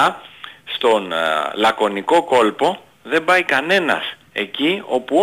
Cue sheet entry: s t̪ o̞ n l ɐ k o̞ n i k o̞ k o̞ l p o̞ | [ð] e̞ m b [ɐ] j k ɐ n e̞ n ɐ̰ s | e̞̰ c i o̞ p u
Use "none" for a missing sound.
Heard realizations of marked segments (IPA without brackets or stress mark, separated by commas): ð, ɐ